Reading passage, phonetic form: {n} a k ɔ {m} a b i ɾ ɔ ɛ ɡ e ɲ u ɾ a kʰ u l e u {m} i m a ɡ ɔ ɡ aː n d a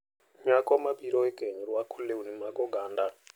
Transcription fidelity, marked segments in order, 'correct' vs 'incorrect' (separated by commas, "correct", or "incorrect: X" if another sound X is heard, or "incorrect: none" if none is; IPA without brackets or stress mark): incorrect: ɲ, correct, incorrect: n